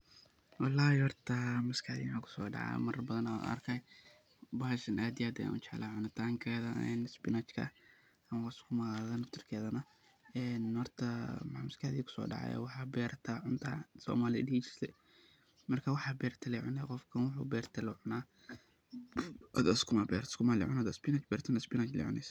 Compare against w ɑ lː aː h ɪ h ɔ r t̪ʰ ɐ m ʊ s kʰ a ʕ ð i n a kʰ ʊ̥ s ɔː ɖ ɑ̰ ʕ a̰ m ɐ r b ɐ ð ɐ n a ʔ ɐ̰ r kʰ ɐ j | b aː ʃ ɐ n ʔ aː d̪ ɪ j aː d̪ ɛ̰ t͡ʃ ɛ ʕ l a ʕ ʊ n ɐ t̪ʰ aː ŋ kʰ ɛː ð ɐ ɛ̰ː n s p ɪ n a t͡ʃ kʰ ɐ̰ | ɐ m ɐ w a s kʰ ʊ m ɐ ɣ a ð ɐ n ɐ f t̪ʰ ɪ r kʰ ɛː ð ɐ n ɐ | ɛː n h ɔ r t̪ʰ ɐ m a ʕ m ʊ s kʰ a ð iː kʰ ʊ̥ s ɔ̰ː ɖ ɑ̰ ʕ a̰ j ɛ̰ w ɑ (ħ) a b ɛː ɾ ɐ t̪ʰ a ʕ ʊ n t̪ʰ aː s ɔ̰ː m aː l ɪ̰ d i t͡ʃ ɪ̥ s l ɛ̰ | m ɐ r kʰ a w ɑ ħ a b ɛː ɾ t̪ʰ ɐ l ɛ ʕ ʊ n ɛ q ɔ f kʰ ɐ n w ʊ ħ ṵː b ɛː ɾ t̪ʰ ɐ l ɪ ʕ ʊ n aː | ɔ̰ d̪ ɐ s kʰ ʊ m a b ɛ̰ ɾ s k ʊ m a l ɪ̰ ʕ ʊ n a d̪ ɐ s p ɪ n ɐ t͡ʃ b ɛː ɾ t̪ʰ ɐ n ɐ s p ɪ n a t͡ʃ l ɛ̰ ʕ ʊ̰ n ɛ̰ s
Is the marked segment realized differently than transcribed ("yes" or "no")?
no